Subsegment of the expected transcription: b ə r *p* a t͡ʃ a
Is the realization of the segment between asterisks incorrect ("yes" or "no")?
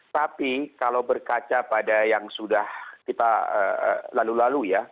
yes